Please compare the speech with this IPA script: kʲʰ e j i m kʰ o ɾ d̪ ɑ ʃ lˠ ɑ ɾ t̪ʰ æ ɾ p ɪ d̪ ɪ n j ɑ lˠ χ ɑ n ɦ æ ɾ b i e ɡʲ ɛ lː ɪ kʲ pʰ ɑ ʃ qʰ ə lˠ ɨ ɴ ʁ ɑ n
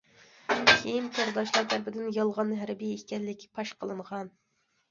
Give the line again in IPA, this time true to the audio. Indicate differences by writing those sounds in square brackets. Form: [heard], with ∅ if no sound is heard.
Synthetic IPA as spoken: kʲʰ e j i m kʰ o ɾ d̪ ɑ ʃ lˠ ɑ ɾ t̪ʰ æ ɾ p ɪ d̪ ɪ n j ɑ lˠ [ʁ] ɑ n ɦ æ ɾ b i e [kʲ] ɛ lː ɪ kʲ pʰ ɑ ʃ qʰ ə lˠ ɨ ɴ ʁ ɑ n